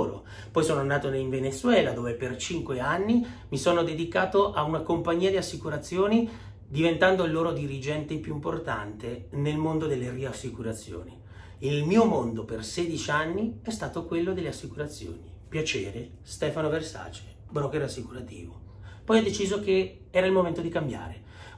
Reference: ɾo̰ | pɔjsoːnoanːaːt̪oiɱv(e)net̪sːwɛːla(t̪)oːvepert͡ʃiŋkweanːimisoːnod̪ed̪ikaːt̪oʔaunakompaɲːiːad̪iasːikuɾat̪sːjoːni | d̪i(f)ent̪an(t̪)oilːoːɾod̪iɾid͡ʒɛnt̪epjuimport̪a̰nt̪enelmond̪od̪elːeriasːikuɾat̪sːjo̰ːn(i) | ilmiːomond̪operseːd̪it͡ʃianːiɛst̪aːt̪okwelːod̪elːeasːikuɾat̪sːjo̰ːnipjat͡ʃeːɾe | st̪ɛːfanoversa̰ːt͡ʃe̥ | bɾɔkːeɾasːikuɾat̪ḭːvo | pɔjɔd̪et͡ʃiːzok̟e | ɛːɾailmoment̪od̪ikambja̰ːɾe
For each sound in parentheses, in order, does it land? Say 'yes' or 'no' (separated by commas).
yes, no, no, no, yes